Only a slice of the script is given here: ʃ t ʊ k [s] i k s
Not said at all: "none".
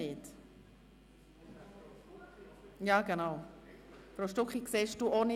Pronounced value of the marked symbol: χ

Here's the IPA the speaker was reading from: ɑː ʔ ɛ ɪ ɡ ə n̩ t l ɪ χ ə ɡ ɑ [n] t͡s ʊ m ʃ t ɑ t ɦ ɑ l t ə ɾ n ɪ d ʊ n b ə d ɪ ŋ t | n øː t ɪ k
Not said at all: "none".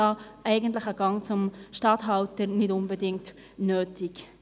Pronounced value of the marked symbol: ŋ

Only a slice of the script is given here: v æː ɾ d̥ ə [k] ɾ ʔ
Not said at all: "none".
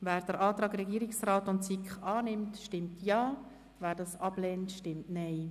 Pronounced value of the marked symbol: none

